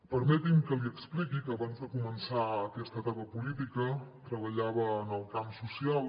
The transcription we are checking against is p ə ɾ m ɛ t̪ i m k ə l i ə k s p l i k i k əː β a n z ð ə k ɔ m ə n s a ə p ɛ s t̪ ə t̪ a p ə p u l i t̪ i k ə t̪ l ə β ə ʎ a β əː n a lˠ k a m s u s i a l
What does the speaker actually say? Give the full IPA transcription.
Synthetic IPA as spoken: p ə ɾ m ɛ t̪ i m k ə l i ə k s p l i k i k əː β a n z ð ə k u m ə n s a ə k ɛ s t̪ ə t̪ a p ə p u l i t̪ i k ə t̪ ɾ ə β ə ʎ a β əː n ə lˠ k a m s u s i a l